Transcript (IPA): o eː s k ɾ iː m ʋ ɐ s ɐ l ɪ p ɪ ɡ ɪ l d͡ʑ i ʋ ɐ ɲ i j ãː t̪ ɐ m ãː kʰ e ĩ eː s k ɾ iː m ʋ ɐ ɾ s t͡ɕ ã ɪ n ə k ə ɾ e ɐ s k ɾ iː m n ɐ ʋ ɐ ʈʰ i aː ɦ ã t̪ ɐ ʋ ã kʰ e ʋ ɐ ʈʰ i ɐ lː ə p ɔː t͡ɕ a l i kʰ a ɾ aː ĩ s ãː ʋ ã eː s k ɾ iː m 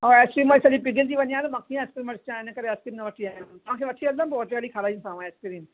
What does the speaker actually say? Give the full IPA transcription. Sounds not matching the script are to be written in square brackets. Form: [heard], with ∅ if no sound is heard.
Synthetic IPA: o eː s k ɾ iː m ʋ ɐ s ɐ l [i] p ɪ ɡ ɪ l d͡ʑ i ʋ ɐ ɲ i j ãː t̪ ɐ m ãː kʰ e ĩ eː s k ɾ iː m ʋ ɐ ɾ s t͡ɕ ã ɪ n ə k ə ɾ e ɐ s k ɾ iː m n ɐ ʋ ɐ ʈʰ i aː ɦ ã t̪ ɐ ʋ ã kʰ e ʋ ɐ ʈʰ i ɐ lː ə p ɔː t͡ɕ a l i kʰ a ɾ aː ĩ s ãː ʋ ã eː s k ɾ iː m